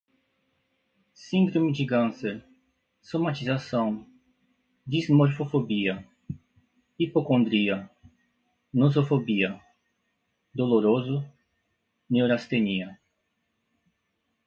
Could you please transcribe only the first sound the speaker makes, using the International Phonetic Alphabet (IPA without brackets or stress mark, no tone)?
s